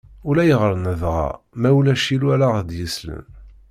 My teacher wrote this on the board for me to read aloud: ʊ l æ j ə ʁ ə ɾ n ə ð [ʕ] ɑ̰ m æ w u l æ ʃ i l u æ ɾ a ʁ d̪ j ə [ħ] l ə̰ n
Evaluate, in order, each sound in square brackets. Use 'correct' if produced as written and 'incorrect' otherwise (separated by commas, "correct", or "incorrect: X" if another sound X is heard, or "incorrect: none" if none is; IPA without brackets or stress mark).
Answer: incorrect: ʁ, incorrect: s